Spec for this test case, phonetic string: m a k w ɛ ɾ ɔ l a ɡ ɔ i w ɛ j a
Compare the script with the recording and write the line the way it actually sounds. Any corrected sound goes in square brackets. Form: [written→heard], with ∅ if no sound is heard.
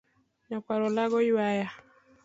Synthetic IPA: [m→ɲ] a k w [ɛ→a] ɾ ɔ l a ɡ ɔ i w [ɛ→a] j a